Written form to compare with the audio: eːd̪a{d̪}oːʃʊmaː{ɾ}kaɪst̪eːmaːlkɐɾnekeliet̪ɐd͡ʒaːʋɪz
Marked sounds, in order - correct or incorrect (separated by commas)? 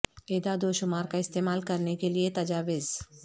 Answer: correct, correct